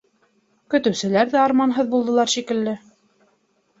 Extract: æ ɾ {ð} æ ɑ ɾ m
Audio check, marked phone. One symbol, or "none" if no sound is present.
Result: ð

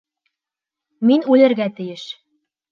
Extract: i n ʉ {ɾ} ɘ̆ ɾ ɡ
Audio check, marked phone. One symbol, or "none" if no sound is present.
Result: l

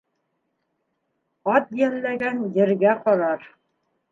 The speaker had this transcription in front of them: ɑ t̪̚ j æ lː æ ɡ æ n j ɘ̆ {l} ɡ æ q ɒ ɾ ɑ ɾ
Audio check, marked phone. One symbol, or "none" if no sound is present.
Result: ɾ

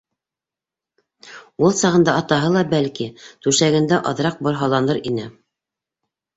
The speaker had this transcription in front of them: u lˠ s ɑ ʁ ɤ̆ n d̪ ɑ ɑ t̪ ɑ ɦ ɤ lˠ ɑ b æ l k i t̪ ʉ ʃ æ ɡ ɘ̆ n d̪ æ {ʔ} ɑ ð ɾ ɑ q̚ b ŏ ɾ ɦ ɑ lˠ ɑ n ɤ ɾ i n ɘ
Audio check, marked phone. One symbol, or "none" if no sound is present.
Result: ʔ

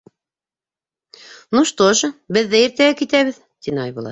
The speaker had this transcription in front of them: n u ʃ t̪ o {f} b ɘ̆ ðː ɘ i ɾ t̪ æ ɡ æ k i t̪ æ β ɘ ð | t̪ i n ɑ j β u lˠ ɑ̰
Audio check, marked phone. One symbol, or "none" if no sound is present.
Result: ʃ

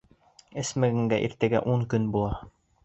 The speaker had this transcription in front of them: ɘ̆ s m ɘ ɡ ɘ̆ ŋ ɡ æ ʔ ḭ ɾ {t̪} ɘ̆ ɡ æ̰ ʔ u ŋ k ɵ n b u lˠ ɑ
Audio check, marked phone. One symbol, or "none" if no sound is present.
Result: t̪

